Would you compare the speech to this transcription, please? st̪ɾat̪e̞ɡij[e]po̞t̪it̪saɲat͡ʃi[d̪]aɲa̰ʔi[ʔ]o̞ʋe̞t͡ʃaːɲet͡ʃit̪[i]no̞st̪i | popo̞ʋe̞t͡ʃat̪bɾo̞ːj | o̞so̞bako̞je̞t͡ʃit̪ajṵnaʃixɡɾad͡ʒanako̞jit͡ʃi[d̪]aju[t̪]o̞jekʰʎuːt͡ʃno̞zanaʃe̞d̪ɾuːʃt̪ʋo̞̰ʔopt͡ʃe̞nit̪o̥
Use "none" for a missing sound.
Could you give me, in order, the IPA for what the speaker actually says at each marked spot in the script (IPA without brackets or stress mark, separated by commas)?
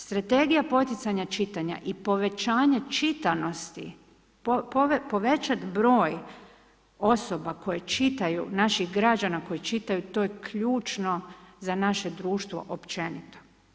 a, t̪, p, a, t̪, t̪